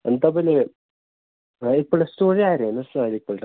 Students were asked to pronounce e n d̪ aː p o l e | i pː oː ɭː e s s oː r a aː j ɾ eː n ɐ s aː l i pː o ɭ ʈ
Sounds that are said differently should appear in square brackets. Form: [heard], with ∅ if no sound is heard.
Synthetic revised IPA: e n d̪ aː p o l e | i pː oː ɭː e s [t] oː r [i] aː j ɾ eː n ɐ s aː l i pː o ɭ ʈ